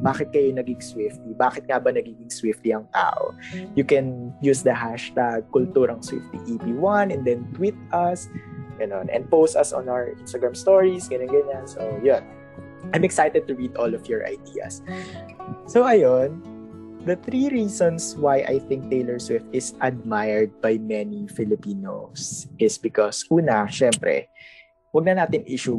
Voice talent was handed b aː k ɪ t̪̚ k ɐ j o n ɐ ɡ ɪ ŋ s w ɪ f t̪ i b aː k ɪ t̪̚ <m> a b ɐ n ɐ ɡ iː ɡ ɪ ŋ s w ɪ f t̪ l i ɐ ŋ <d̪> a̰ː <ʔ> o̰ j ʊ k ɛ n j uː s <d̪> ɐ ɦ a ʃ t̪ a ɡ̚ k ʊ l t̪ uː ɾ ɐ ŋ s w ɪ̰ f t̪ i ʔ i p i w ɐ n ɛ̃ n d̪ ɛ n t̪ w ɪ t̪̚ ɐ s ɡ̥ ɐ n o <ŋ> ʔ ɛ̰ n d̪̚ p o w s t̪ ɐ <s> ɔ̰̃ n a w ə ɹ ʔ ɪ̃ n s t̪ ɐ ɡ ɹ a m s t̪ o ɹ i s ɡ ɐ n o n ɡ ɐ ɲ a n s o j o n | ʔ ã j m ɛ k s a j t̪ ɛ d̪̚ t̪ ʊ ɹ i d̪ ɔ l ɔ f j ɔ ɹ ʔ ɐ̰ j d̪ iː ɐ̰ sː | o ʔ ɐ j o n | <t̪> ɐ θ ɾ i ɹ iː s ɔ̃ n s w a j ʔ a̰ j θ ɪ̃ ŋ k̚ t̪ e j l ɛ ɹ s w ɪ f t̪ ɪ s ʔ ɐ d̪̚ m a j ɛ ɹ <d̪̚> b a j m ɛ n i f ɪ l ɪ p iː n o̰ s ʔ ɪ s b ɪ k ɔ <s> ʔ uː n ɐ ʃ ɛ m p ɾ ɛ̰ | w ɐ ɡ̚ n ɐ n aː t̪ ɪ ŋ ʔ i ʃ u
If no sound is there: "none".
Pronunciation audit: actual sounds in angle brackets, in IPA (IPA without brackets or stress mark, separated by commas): ŋ, t̪, ʔ, d̪, n, s, d̪, d̪̚, s